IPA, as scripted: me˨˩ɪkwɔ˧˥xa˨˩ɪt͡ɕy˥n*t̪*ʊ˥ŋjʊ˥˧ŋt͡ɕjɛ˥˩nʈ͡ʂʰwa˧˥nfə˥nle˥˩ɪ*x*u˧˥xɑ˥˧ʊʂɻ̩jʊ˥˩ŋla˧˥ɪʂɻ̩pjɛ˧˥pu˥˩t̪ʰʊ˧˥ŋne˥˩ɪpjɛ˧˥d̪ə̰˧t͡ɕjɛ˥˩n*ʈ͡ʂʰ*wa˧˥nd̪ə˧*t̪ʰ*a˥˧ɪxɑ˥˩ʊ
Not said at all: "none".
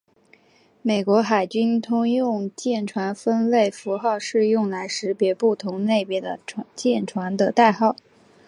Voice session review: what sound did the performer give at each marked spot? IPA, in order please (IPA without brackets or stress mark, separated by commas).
t̪ʰ, f, ʈ͡ʂʰ, t̪